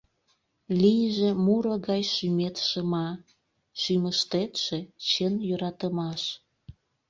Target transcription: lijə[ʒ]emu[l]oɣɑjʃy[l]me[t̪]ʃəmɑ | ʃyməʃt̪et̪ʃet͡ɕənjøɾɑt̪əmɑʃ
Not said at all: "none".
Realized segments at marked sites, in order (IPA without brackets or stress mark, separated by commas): ʒ, ɾ, none, t̪